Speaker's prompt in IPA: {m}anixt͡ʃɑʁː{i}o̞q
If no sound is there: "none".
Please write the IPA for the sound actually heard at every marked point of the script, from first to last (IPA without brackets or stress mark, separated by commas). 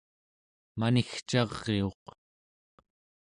m, e